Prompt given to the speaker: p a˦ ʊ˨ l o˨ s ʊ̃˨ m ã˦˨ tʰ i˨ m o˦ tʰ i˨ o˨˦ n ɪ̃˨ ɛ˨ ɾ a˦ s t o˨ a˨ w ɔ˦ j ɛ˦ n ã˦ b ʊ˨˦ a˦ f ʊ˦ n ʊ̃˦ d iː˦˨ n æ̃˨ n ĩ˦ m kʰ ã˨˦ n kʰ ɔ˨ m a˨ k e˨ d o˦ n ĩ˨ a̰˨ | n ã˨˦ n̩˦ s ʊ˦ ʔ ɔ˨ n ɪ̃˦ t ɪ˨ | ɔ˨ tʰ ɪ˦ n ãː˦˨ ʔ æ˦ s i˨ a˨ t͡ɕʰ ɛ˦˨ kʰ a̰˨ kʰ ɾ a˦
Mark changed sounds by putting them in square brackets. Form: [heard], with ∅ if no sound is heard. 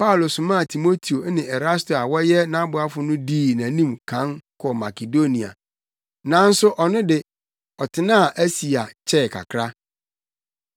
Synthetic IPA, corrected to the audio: p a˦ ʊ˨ l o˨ s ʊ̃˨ m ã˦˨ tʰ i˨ m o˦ tʰ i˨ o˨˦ n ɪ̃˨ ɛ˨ ɾ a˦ s t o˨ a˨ w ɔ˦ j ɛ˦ n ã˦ b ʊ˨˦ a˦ f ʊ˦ n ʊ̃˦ d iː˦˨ n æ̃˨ n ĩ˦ m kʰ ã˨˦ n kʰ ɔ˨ m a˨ k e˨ d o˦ n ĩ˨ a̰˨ | n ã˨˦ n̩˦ s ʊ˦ ʔ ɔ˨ n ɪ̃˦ [d] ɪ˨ | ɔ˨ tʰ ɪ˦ n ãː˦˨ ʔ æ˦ s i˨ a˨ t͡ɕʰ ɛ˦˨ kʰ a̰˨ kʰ ɾ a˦